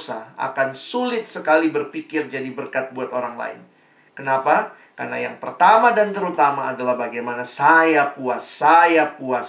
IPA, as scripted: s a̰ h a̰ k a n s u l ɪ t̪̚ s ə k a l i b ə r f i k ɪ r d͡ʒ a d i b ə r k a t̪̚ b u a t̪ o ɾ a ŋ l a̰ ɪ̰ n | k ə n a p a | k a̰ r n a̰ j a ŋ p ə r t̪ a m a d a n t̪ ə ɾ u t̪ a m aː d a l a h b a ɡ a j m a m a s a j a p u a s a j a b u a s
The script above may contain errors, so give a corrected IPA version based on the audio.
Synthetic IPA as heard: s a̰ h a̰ k a n s u l ɪ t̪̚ s ə k a l i b ə r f i k ɪ r d͡ʒ a d i b ə r k a t̪̚ b u a t̪ o ɾ a ŋ l a̰ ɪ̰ n | k ə n a p a | k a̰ r n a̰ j a ŋ p ə r t̪ a m a d a n t̪ ə ɾ u t̪ a m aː d a l a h b a ɡ a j m a n a s a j a p u a s a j a p u a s